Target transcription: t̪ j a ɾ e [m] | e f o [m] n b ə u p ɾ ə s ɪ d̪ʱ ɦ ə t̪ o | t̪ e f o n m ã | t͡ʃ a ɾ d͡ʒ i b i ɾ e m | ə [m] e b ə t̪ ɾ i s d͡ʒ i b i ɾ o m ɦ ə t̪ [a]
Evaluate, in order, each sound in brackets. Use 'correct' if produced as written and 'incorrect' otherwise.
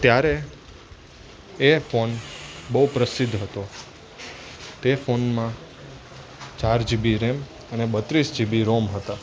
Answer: incorrect: none, incorrect: none, incorrect: n, correct

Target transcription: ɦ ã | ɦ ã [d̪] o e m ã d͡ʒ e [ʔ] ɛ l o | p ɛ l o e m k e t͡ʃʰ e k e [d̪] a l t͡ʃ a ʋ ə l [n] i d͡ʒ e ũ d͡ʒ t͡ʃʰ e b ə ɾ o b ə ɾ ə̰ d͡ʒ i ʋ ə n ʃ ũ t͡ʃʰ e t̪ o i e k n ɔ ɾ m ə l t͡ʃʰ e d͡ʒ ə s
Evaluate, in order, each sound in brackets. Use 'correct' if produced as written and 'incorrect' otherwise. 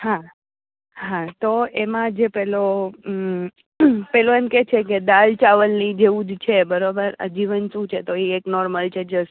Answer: incorrect: t̪, incorrect: p, correct, correct

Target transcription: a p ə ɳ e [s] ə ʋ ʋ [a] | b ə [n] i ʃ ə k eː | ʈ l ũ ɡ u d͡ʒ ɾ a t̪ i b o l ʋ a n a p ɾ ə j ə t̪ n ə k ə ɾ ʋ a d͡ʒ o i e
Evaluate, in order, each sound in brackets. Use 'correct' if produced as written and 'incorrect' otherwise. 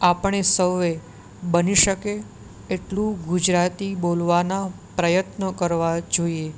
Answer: correct, incorrect: e, correct

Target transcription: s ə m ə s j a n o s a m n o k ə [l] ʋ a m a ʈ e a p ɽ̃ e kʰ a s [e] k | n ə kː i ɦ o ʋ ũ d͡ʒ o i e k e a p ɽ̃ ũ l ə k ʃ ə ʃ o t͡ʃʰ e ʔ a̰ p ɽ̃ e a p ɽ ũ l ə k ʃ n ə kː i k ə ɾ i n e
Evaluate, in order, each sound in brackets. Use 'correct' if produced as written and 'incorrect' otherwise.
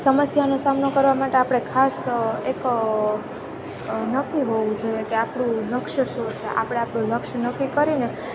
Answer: incorrect: ɾ, correct

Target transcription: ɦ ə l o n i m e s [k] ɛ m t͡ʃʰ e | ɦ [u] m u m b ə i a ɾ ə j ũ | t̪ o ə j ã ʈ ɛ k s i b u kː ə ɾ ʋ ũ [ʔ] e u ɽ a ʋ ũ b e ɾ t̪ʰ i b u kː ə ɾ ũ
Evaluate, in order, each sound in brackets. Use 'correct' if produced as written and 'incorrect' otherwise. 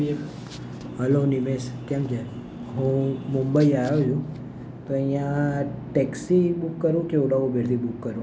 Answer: correct, incorrect: ũ, incorrect: k

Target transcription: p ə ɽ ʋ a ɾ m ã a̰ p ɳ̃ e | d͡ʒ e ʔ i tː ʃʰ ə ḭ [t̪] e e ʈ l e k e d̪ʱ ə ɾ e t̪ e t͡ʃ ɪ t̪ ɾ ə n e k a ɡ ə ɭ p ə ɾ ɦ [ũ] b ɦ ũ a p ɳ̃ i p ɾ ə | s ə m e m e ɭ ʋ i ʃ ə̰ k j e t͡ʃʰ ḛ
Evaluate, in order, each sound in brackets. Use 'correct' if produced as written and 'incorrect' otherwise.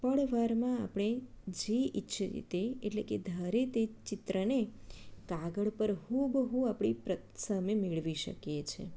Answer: correct, incorrect: u

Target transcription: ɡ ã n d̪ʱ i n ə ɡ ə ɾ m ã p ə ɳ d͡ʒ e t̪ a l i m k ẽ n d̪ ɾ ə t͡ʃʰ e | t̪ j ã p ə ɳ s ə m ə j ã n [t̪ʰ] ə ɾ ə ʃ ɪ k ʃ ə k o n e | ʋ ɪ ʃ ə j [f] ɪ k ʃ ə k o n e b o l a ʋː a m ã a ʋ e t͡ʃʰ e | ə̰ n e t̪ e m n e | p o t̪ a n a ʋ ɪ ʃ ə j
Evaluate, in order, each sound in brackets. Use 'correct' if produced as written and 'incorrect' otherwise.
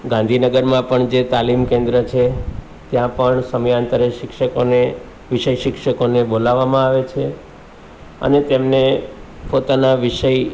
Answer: incorrect: t̪, incorrect: ʃ

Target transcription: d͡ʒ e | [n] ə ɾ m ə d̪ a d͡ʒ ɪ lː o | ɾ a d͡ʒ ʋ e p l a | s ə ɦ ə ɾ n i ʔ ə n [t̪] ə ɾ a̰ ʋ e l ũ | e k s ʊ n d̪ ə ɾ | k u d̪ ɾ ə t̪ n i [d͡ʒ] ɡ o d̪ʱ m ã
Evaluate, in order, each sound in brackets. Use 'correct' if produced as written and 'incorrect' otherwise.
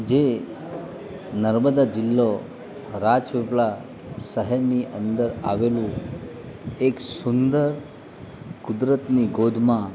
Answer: correct, incorrect: d̪, incorrect: none

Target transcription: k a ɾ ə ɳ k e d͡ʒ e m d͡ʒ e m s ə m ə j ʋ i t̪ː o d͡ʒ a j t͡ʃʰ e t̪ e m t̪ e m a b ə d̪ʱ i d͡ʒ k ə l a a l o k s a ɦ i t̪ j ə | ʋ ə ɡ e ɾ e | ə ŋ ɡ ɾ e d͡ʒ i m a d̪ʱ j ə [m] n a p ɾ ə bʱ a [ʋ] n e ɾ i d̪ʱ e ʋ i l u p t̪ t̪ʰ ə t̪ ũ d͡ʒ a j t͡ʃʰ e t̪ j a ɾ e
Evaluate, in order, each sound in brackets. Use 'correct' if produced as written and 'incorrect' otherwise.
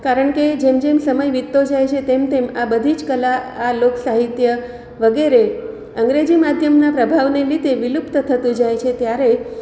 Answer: correct, correct

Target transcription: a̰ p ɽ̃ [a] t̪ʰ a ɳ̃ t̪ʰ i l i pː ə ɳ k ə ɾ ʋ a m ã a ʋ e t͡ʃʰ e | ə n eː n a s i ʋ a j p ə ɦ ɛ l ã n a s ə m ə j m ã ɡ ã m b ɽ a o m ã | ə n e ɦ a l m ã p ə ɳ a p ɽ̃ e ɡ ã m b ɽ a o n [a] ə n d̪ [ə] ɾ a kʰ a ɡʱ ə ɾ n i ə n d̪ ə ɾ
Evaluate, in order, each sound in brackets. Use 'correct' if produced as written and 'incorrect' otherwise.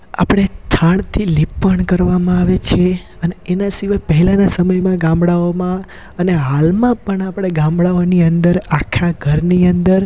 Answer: incorrect: e, incorrect: i, correct

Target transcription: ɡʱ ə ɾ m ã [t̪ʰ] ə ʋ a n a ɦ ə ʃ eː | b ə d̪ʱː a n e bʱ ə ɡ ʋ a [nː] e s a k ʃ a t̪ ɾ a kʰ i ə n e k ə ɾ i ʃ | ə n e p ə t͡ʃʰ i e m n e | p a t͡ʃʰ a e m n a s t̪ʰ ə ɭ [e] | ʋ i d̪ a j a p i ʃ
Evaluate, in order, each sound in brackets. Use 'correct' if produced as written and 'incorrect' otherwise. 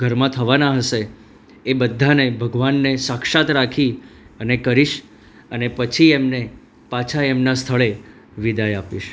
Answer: correct, correct, correct

